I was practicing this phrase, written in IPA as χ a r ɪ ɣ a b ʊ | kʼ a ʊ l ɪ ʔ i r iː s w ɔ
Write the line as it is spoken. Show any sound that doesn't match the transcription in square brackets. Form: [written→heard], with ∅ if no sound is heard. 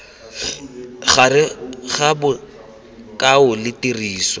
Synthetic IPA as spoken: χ a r ɪ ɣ a b ʊ | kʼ a ʊ l ɪ [ʔ→t] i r iː s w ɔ